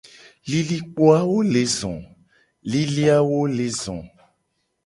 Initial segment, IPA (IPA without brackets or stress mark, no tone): l